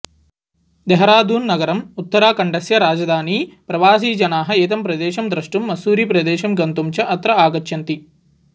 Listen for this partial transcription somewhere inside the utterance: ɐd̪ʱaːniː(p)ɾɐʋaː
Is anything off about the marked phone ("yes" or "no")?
no